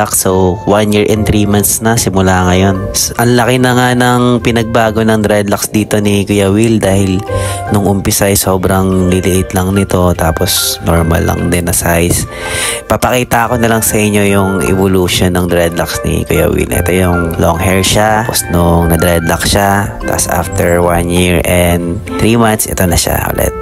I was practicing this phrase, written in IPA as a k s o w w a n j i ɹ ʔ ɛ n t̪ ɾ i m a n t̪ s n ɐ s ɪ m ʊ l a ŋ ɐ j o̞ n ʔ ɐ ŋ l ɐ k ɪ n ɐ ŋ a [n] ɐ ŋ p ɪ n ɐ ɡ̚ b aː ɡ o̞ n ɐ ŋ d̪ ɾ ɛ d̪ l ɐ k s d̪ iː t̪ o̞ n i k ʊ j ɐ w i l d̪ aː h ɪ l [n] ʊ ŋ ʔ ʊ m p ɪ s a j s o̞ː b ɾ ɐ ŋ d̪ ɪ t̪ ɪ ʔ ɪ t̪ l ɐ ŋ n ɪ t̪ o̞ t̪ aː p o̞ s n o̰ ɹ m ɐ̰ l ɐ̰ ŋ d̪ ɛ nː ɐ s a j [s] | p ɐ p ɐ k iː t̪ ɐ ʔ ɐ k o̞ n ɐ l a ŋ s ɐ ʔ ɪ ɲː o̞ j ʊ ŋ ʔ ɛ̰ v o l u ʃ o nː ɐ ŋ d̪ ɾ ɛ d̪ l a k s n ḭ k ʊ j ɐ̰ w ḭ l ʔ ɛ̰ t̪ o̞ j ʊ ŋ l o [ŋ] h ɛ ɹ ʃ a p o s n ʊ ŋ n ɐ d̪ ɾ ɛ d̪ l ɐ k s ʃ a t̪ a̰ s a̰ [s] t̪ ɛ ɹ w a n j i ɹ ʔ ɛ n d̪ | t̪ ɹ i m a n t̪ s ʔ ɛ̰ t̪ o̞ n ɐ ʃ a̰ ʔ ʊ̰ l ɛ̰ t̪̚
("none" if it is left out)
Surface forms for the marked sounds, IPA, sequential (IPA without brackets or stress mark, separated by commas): n, n, s, ŋ, f